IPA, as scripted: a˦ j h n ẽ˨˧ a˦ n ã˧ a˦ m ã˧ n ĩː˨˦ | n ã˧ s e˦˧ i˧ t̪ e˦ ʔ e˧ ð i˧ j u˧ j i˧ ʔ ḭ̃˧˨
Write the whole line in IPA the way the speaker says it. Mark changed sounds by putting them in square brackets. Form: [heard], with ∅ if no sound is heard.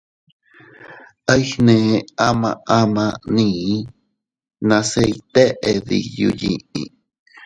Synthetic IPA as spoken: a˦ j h n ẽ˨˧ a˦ [m] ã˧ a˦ m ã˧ n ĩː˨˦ | n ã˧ s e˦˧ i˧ t̪ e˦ ʔ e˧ ð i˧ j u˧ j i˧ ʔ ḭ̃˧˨